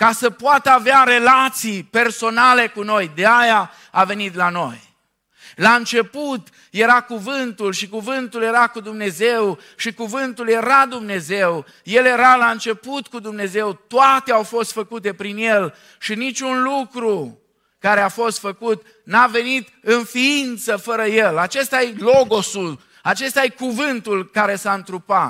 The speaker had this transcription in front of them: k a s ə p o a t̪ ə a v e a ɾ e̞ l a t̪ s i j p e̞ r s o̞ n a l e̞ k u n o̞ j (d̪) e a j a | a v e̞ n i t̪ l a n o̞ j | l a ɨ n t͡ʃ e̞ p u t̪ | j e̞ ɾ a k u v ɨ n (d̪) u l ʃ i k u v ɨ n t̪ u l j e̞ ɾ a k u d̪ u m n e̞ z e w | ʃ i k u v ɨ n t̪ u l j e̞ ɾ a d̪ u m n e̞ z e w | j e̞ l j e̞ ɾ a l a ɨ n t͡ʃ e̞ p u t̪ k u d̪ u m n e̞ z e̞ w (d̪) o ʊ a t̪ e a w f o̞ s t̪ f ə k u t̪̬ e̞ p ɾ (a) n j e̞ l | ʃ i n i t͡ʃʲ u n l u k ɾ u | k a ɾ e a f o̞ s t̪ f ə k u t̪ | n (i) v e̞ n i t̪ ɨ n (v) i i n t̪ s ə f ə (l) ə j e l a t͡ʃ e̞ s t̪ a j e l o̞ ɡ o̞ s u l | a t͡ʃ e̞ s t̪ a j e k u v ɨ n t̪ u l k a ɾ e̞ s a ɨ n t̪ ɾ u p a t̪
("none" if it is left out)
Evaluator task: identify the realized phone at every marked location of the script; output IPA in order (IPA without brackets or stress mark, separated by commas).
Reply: d̪, t̪, t̪, i, a, f, ɾ